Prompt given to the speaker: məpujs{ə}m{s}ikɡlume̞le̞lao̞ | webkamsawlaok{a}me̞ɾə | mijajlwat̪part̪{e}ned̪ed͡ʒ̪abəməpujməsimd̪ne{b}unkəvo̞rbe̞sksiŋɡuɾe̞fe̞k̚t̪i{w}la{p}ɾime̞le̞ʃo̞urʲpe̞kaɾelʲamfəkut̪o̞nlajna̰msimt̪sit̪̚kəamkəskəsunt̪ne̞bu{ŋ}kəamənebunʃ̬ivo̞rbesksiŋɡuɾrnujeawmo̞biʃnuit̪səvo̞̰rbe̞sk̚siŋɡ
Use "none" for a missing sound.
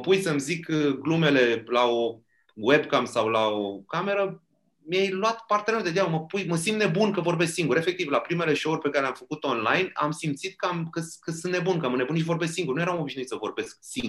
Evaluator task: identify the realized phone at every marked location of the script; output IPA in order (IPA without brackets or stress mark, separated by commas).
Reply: ə, z, a, e, b, v, p, n